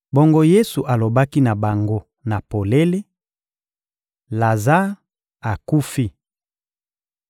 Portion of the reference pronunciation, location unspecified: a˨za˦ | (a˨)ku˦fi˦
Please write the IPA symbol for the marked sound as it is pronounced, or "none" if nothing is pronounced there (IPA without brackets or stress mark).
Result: a˨